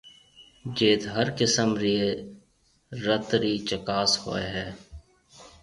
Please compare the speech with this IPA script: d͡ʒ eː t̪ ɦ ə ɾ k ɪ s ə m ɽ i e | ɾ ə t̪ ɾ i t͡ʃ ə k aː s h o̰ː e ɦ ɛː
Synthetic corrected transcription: d͡ʒ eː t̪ ɦ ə ɾ k ɪ s ə m ɾ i e | ɾ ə t̪ ɾ i t͡ʃ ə k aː s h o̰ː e ɦ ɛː